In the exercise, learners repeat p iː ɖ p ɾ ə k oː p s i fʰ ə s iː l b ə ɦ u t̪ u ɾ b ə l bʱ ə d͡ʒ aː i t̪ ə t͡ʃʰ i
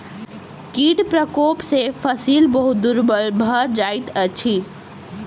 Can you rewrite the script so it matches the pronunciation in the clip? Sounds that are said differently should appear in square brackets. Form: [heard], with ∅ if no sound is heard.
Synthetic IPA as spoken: [k] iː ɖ p ɾ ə k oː p s [e] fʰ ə s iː l b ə ɦ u [d̪] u ɾ b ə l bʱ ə d͡ʒ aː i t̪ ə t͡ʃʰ i